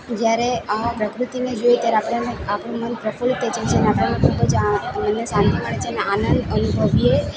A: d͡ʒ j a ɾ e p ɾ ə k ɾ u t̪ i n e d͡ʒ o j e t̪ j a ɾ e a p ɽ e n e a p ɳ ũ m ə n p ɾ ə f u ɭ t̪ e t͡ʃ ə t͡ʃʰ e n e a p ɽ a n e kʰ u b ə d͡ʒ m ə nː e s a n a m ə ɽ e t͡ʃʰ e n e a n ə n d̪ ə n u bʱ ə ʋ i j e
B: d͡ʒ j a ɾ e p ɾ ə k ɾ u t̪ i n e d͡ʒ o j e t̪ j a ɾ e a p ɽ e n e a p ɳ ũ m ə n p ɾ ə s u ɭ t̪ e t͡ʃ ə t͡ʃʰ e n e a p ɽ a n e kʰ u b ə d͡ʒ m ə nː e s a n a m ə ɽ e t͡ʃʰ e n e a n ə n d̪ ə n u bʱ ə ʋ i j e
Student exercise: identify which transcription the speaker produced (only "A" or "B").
A